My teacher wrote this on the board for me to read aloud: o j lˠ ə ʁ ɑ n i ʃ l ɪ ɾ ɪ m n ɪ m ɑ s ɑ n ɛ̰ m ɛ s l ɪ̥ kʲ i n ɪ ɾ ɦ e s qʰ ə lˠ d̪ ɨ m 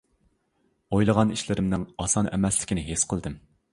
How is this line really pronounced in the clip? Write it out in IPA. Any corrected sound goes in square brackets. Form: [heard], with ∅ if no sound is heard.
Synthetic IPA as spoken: o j lˠ ə ʁ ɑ n i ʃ l ɪ ɾ ɪ m n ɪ [ŋ] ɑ s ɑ n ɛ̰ m ɛ s l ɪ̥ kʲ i n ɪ [∅] ɦ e s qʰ ə lˠ d̪ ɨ m